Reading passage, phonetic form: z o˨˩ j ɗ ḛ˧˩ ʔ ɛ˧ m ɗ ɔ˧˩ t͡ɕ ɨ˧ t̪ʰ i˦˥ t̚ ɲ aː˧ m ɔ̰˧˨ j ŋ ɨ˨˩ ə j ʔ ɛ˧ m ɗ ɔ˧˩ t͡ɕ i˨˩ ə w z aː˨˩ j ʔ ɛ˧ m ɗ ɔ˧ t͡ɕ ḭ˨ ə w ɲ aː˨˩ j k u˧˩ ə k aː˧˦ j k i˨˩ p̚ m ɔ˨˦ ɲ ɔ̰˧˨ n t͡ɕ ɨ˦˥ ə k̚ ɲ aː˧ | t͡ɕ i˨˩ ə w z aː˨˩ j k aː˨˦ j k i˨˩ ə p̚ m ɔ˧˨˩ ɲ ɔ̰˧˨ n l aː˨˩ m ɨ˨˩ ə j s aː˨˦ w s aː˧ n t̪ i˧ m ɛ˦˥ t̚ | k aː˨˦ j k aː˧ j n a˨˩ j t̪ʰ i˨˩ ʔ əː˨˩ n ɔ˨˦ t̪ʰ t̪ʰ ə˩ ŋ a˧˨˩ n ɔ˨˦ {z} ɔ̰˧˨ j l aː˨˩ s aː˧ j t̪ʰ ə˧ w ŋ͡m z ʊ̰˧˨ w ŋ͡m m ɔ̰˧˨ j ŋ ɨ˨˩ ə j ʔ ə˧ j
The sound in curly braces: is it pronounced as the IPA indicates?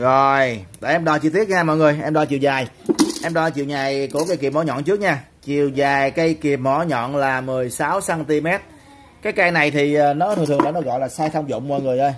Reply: no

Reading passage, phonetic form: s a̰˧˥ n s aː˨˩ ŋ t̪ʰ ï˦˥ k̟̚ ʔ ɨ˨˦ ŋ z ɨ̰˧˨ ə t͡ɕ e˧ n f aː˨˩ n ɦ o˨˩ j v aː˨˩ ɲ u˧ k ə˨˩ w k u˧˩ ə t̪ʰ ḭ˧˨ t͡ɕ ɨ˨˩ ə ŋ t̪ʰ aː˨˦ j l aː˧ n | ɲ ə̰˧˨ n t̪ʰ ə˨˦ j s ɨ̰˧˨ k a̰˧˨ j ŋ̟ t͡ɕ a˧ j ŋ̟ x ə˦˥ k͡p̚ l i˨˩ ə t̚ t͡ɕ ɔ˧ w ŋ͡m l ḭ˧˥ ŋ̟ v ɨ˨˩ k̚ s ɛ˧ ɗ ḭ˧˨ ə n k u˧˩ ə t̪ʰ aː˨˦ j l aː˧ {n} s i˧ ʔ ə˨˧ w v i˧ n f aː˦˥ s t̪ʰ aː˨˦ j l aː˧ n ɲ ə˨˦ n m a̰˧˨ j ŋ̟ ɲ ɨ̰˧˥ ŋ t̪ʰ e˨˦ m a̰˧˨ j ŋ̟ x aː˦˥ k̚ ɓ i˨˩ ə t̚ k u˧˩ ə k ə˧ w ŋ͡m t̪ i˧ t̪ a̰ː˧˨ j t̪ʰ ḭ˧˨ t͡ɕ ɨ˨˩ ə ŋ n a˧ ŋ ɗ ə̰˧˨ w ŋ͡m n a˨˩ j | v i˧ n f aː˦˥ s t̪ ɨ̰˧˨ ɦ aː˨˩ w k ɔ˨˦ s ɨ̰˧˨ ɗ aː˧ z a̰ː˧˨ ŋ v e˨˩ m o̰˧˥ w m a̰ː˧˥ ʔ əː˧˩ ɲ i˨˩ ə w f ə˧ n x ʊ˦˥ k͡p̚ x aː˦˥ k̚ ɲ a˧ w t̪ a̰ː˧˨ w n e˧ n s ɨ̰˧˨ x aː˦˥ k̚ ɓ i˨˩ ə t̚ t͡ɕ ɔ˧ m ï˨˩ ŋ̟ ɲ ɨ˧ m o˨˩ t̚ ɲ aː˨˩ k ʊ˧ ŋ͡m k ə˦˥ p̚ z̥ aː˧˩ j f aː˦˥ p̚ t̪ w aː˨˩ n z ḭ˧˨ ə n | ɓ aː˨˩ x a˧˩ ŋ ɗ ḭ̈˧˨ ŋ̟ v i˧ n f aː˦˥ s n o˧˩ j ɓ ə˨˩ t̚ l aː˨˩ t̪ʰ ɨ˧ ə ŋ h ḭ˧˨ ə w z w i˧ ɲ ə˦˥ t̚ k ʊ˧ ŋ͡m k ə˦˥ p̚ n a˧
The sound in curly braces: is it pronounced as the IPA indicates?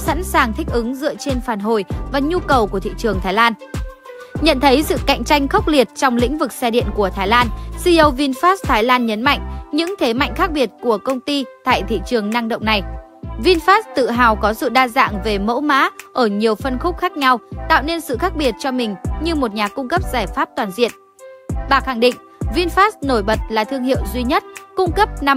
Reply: yes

